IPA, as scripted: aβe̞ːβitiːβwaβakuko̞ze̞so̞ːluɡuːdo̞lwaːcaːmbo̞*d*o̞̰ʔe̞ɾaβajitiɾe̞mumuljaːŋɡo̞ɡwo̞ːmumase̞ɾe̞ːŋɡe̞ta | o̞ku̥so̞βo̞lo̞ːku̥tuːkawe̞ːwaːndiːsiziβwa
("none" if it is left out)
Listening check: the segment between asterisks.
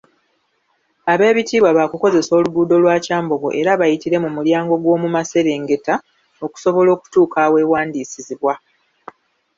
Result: ɡ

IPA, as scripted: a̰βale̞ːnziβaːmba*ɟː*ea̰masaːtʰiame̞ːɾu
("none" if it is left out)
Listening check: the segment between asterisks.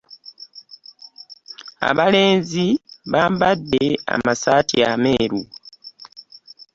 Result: dː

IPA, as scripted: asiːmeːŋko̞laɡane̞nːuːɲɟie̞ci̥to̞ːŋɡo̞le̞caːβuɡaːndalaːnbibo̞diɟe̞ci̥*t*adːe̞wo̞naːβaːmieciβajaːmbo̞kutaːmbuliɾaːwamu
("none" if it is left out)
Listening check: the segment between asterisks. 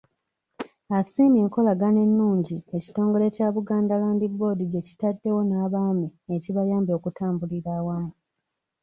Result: t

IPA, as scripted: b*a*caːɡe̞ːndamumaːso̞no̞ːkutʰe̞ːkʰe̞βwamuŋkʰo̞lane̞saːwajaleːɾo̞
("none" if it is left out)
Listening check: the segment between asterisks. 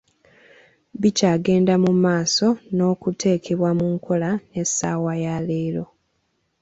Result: i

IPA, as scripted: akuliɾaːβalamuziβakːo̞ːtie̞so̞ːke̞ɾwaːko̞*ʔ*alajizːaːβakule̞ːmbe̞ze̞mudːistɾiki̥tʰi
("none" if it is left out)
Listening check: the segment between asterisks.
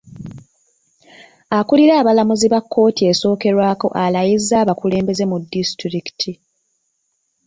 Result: ʔ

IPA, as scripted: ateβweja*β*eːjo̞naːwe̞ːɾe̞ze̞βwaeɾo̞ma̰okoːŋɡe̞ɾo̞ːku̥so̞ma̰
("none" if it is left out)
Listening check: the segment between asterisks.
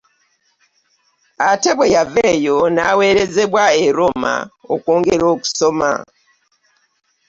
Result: v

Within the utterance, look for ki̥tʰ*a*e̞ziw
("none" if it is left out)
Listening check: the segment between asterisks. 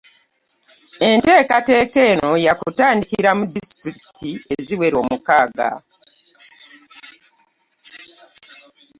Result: i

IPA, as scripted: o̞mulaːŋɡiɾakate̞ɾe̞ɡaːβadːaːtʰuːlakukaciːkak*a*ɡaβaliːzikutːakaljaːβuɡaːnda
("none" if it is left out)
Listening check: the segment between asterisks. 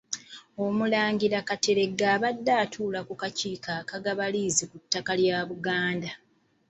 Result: a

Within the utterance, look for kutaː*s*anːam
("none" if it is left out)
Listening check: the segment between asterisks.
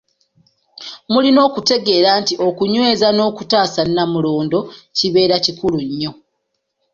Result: s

